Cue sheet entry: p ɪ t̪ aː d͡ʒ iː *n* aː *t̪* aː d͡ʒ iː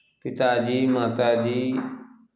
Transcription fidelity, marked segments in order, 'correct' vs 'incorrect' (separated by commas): incorrect, correct